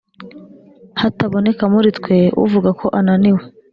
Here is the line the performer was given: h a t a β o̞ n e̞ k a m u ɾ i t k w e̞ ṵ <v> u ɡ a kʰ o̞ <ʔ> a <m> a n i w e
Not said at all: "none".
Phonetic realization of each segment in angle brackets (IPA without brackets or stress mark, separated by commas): v, ʔ, n